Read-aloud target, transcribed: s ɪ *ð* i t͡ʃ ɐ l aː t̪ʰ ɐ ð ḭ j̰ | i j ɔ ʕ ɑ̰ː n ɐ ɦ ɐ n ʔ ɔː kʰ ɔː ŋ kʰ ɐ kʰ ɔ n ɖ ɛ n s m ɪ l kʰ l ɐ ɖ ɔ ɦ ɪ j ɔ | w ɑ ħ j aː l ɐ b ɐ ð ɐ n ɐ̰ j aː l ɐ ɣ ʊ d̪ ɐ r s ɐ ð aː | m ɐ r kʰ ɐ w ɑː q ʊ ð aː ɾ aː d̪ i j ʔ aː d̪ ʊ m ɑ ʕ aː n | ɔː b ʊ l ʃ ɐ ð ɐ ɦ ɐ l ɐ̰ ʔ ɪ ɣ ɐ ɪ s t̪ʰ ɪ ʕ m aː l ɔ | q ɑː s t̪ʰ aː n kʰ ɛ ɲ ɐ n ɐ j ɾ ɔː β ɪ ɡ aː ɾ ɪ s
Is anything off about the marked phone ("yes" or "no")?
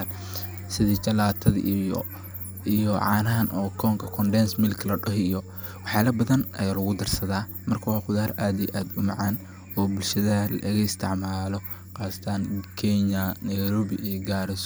no